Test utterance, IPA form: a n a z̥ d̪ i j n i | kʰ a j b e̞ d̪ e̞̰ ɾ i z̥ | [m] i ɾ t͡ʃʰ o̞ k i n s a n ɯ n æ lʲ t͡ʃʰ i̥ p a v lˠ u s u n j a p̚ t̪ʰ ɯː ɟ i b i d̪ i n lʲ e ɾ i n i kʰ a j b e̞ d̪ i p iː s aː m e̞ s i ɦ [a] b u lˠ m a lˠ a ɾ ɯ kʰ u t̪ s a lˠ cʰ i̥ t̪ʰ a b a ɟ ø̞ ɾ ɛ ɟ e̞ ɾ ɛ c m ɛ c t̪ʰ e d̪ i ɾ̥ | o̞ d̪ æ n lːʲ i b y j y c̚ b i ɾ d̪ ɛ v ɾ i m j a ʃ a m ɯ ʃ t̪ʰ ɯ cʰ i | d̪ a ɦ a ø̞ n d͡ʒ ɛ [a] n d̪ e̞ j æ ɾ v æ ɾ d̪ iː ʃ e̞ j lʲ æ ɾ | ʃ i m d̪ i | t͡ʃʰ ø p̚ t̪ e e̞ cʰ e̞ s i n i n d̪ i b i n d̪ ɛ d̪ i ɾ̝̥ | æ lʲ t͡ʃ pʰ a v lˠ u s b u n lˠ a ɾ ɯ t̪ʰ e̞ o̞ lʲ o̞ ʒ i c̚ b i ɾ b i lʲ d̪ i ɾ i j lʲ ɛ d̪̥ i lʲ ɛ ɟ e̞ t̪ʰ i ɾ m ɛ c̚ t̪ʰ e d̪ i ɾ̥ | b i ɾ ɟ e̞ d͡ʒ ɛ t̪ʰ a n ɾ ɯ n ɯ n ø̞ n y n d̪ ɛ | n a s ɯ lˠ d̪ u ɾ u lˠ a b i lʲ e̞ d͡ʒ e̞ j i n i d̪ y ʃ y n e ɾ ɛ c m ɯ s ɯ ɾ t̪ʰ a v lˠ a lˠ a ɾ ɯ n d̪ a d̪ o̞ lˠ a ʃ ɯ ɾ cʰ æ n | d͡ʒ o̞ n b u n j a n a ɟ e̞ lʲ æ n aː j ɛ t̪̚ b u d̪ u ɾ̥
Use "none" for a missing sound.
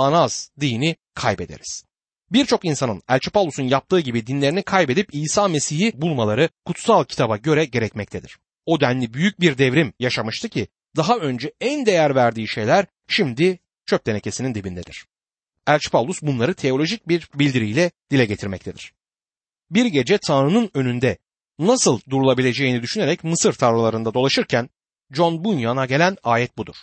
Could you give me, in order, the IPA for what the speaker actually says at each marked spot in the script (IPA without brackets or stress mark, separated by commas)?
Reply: b, i, æ